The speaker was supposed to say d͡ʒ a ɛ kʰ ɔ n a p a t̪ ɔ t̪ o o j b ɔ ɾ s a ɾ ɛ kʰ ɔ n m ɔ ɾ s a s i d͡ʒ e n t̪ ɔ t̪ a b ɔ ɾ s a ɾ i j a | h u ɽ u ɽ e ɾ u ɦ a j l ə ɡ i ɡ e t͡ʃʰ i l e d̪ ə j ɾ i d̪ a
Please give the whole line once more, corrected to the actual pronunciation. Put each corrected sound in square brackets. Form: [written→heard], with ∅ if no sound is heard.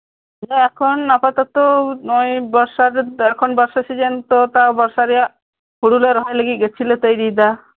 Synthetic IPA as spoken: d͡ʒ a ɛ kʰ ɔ n a p a t̪ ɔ t̪ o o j b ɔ ɾ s a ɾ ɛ kʰ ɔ n [m→b] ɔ ɾ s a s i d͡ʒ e n t̪ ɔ t̪ a b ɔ ɾ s a ɾ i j a | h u ɽ u [ɽ→l] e ɾ [u→ɔ] ɦ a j l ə ɡ i ɡ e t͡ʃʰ i l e [d̪→t̪] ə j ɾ i d̪ a